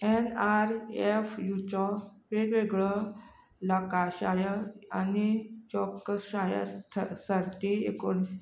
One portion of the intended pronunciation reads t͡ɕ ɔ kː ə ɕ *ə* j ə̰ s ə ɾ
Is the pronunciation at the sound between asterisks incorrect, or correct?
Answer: incorrect